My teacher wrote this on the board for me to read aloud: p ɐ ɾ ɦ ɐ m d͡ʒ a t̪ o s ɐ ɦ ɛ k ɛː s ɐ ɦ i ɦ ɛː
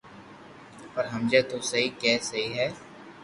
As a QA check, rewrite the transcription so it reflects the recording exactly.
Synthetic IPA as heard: p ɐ ɾ ɦ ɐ m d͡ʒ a t̪ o s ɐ ɦ i k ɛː s ɐ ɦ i ɦ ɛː